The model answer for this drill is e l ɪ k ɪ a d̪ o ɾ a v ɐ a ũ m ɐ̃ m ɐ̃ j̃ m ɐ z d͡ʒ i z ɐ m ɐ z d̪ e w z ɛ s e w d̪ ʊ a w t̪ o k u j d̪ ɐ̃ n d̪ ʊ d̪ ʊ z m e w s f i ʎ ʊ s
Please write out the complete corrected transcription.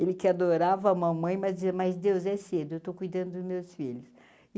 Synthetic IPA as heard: e l ɪ k ɪ a d̪ o ɾ a v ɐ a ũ m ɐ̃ m ɐ̃ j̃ m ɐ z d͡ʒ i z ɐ m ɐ z d̪ e w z ɛ s e d̪ ʊ e w t̪ o k u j d̪ ɐ̃ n d̪ ʊ d̪ ʊ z m e w s f i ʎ ʊ s